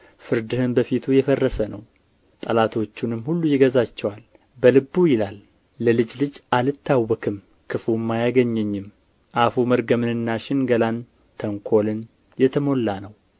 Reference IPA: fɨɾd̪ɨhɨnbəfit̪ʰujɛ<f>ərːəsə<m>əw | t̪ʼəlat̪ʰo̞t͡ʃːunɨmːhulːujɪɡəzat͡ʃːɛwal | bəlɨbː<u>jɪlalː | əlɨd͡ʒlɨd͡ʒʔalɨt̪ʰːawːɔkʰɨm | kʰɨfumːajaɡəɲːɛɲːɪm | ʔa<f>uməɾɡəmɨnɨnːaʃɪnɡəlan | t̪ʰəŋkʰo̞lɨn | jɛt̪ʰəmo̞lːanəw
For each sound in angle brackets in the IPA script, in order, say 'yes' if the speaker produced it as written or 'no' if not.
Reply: yes, no, yes, yes

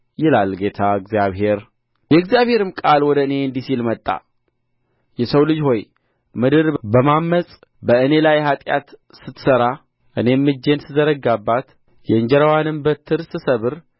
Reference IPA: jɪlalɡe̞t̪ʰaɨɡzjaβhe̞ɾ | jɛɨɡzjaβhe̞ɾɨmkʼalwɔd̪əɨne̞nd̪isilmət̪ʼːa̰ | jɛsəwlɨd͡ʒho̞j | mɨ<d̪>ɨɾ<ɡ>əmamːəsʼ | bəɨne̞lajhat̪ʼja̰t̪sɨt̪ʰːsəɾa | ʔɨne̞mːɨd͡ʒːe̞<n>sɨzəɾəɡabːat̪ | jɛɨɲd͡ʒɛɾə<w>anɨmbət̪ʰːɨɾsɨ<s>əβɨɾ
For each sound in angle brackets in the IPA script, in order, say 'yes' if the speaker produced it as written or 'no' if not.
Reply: yes, no, yes, yes, yes

